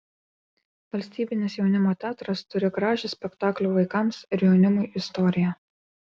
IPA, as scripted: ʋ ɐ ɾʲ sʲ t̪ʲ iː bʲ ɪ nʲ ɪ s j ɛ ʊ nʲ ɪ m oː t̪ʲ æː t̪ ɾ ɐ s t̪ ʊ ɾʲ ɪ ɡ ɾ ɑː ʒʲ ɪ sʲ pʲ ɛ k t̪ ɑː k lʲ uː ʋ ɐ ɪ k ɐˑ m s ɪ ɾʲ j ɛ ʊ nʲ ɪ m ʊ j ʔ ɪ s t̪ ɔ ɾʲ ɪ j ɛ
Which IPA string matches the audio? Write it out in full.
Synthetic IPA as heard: ʋ ɐ lʲ sʲ t̪ʲ iː bʲ ɪ nʲ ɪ s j ɛ ʊ nʲ ɪ m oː t̪ʲ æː t̪ ɾ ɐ s t̪ ʊ ɾʲ ɪ ɡ ɾ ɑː ʒʲ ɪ sʲ pʲ ɛ k t̪ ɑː k lʲ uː ʋ ɐ ɪ k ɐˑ m s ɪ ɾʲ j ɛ ʊ nʲ ɪ m ʊ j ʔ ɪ s t̪ ɔ ɾʲ ɪ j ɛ